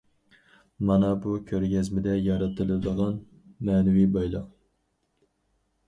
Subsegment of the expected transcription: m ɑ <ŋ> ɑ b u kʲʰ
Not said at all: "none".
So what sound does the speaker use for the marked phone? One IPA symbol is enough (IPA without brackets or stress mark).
n